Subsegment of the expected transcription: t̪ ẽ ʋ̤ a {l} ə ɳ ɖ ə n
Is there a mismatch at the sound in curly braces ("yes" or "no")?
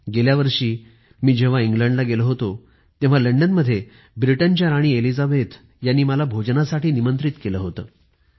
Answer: no